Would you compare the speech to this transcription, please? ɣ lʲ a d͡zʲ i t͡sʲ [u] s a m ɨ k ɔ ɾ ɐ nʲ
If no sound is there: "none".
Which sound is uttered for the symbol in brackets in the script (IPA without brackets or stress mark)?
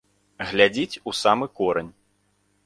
u